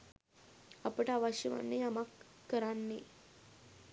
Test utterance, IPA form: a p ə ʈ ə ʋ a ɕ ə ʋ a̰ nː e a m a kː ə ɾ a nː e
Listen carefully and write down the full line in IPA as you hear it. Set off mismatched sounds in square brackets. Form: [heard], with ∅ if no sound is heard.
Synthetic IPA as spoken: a p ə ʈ [a] ʋ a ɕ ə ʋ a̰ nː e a m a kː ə ɾ a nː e